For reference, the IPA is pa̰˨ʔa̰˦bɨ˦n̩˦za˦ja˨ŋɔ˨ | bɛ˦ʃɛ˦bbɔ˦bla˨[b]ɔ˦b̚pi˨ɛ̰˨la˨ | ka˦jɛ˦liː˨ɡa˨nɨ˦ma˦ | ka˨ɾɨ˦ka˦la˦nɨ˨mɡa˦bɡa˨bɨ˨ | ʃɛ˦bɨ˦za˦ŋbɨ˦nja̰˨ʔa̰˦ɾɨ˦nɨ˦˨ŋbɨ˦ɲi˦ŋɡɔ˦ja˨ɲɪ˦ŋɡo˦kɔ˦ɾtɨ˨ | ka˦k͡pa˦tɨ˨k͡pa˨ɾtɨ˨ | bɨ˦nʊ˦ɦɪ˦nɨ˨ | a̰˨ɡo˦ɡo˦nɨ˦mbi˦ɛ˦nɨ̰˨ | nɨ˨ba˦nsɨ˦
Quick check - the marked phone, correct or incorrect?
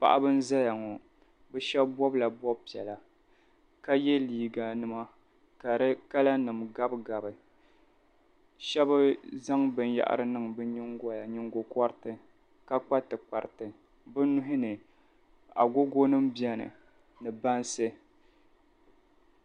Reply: correct